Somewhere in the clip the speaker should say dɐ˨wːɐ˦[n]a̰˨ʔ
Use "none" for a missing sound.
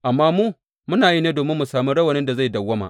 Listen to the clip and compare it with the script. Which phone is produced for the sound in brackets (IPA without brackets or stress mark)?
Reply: m